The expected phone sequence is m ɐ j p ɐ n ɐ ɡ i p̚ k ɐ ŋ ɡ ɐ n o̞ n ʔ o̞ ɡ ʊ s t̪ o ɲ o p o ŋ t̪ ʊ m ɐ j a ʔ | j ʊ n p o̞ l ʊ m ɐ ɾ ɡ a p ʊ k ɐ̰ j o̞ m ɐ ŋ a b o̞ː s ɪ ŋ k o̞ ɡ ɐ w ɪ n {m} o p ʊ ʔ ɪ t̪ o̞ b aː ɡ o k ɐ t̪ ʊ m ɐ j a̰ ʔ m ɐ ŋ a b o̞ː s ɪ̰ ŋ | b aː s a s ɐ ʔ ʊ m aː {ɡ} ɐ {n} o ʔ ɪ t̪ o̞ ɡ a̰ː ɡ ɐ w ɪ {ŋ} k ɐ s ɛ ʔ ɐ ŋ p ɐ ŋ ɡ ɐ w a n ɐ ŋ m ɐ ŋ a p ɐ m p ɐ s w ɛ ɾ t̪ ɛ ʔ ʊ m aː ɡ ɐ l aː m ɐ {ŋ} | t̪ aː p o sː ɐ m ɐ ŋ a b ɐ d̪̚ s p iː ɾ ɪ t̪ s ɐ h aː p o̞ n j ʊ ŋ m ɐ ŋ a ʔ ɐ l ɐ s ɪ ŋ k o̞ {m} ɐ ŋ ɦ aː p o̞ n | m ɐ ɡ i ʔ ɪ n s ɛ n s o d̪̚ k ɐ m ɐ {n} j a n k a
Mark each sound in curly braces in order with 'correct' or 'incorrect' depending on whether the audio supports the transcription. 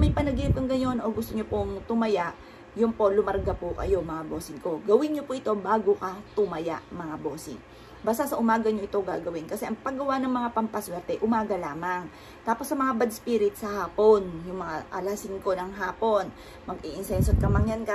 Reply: incorrect: ɲ, correct, incorrect: ɲ, incorrect: n, correct, incorrect: n, incorrect: ŋ

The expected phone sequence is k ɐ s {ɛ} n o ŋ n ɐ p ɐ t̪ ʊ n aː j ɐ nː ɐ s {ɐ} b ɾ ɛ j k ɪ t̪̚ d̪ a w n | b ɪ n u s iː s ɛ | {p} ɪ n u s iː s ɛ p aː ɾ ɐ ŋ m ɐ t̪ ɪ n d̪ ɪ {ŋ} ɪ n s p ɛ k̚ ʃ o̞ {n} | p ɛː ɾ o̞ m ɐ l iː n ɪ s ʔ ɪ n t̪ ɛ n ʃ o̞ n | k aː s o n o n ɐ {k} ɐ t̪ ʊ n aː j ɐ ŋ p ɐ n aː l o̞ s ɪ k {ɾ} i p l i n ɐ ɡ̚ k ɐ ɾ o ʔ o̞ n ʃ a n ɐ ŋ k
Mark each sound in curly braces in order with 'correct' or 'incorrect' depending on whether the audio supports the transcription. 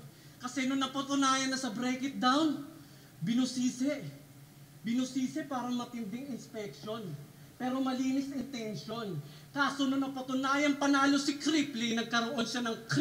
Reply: correct, correct, incorrect: b, correct, correct, incorrect: p, correct

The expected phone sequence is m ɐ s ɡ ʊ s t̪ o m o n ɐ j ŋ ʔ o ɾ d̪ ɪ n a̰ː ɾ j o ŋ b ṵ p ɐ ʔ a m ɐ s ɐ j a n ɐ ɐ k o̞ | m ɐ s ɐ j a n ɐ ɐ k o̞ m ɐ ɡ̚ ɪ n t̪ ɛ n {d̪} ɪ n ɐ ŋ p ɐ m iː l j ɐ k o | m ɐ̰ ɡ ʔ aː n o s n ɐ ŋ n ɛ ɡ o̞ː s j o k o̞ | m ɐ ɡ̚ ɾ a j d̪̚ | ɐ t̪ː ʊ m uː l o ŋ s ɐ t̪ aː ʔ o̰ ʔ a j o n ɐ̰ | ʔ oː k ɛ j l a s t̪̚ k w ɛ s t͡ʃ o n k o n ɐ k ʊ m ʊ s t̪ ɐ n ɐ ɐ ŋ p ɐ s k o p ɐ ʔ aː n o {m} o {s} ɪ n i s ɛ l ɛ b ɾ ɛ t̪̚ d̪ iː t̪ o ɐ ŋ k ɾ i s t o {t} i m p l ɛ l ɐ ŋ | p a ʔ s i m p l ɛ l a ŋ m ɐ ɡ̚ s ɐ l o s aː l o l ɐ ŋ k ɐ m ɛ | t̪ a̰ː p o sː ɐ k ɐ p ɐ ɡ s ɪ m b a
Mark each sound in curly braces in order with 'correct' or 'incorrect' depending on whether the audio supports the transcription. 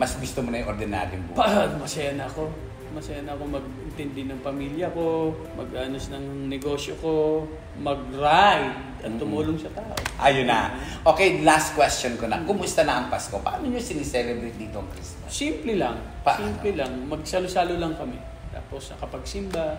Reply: correct, incorrect: ɲ, correct, incorrect: s

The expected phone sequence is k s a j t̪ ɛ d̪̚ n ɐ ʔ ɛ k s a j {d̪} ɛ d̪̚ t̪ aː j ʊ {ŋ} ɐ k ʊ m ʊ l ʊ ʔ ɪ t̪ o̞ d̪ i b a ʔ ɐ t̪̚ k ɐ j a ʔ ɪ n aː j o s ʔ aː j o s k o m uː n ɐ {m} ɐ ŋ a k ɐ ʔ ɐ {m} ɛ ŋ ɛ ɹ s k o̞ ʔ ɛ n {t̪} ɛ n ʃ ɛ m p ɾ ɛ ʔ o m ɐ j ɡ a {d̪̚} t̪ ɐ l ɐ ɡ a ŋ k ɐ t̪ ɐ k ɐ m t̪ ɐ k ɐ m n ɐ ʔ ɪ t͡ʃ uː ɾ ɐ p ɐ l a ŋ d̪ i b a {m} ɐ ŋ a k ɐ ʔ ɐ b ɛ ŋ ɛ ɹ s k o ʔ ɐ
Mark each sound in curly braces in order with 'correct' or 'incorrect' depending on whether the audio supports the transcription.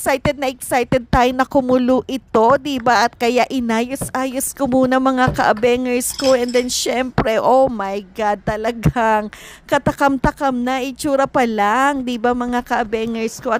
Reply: incorrect: t̪, incorrect: n, correct, incorrect: b, incorrect: d̪, correct, correct

